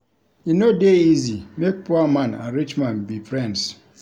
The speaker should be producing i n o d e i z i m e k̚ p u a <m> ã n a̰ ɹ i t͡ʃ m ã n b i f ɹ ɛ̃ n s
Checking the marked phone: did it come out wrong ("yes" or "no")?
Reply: no